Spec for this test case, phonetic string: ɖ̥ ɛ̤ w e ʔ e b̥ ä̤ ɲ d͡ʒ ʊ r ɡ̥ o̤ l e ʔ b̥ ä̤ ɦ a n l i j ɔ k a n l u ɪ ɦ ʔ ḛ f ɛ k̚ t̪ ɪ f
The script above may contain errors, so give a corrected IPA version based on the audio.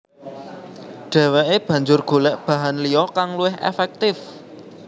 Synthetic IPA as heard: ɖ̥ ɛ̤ w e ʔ e b̥ ä̤ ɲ d͡ʒ ʊ r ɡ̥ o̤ l ɛ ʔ b̥ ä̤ ɦ a n l i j ɔ k a ŋ l u ɪ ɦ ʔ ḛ f ɛ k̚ t̪ ɪ f